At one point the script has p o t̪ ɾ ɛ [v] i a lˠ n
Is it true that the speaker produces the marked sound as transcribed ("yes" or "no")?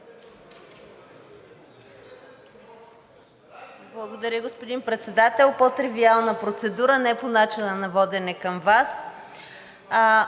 yes